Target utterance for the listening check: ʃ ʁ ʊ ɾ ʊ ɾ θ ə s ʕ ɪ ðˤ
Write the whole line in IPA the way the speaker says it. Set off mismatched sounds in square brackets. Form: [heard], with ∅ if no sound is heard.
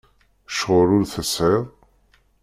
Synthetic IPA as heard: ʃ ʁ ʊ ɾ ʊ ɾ θ ə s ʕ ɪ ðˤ